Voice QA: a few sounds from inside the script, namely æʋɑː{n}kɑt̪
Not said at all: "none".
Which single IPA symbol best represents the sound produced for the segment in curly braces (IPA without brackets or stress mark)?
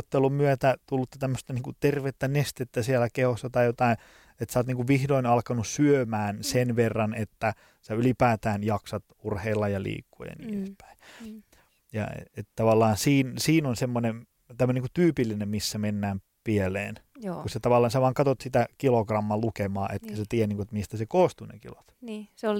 ŋ